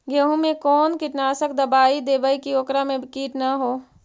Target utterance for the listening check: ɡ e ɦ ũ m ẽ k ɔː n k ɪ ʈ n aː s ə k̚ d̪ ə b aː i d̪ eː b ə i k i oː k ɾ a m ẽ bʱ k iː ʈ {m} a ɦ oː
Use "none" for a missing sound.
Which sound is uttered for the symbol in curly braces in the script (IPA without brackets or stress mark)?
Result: n